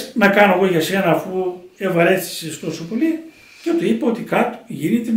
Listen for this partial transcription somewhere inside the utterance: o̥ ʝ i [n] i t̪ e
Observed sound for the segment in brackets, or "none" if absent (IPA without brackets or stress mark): n